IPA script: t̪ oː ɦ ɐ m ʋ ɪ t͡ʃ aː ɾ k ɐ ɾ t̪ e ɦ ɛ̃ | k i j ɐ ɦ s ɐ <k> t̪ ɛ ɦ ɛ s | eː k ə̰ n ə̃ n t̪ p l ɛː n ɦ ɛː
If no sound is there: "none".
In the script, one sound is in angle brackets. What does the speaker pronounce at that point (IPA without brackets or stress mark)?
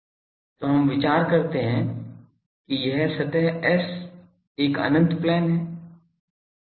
none